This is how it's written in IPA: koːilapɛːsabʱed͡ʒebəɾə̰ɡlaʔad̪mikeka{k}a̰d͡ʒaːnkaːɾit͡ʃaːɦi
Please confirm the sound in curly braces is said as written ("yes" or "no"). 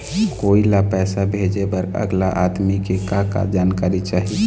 yes